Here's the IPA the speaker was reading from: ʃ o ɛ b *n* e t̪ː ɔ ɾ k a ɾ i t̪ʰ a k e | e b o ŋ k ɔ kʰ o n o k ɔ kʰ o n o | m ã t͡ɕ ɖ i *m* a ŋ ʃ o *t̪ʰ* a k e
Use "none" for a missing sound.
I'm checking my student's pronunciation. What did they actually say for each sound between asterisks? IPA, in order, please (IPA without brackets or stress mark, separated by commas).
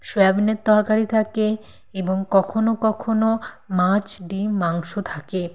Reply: n, m, t̪ʰ